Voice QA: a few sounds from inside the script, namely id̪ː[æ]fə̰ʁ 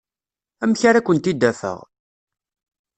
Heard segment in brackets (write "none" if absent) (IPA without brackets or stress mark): æ